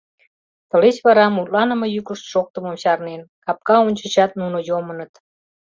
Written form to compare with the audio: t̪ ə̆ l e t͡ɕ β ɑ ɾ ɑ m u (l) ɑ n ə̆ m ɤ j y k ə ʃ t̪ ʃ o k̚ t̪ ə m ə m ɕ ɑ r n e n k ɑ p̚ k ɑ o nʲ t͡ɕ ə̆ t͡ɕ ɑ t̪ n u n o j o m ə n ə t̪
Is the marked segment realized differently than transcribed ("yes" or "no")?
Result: no